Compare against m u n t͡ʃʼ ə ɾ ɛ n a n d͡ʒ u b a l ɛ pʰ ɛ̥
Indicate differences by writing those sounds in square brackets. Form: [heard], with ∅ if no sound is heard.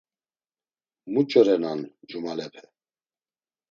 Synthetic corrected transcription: m u [∅] t͡ʃʼ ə ɾ ɛ n a n d͡ʒ u [m] a l ɛ pʰ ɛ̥

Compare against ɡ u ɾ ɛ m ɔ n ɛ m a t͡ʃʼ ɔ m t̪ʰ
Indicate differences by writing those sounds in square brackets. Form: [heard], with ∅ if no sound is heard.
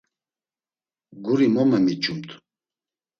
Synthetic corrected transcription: ɡ u ɾ [i] m ɔ [m] ɛ m [i] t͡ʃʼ [u] m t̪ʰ

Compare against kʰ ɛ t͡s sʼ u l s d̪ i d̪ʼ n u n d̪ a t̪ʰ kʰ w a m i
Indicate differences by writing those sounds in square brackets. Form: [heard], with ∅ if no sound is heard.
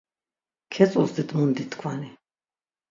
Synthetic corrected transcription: kʰ ɛ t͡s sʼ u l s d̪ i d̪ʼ [m] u n d̪ [i] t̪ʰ kʰ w a [n] i

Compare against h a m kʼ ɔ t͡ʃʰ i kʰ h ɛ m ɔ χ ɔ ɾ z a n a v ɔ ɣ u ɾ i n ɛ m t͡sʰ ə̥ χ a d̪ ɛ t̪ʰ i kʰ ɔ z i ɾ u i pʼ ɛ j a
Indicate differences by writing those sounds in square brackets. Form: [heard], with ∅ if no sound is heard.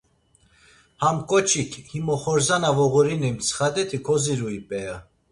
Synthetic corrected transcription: h a m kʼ ɔ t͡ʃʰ i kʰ h [i] m ɔ χ ɔ ɾ z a n a v ɔ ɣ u ɾ i n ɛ m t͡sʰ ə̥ χ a d̪ ɛ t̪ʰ i kʰ ɔ z i ɾ u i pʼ ɛ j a

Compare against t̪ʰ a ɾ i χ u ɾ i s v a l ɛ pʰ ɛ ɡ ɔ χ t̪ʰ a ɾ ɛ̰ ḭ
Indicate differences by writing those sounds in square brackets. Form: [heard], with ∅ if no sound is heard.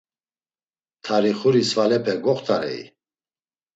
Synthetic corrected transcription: t̪ʰ a ɾ i χ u ɾ i s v a l ɛ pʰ ɛ ɡ ɔ χ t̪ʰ a ɾ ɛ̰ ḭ

